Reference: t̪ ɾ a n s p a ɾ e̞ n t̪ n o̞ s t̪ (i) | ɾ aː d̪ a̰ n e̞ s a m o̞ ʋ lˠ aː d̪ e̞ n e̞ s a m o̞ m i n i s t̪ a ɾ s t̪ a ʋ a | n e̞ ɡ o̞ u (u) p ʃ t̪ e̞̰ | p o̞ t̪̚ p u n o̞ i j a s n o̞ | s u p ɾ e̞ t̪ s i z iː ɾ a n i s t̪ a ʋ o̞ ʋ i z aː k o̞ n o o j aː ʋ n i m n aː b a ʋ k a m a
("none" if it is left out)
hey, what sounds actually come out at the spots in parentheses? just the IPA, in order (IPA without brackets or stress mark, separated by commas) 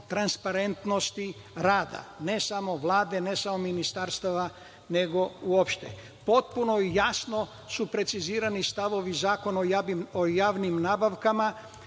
i, o